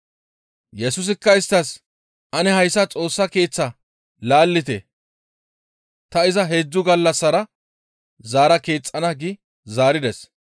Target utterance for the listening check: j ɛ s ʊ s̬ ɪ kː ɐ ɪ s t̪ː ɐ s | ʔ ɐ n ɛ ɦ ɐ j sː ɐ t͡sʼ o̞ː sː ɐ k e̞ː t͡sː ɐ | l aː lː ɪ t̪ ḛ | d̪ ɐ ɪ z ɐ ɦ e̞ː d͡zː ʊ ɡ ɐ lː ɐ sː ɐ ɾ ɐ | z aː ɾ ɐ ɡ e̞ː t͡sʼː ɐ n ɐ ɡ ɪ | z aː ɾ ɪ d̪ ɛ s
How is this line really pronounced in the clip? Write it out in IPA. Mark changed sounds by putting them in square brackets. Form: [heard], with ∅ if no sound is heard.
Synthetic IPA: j ɛ s ʊ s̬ ɪ kː ɐ ɪ s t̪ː ɐ s | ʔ ɐ n ɛ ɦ ɐ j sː ɐ t͡sʼ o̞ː sː ɐ k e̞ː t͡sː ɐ | l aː lː ɪ t̪ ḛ | [t̪] ɐ ɪ z ɐ ɦ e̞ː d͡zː ʊ ɡ ɐ lː ɐ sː ɐ ɾ ɐ | z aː ɾ ɐ [k] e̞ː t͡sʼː ɐ n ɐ ɡ ɪ | z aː ɾ ɪ d̪ ɛ s